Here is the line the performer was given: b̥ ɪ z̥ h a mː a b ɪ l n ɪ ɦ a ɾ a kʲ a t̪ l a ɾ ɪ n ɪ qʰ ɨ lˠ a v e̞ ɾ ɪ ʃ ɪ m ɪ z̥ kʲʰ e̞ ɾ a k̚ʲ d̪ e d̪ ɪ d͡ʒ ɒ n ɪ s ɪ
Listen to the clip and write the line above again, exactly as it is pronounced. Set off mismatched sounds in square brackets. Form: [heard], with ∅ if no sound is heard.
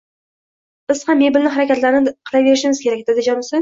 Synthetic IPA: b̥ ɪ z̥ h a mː [e] b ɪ l n ɪ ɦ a ɾ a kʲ a t̪ l a ɾ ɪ n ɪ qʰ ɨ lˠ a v e̞ ɾ ɪ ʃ ɪ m ɪ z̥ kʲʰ e̞ ɾ a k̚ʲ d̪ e d̪ ɪ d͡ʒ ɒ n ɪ s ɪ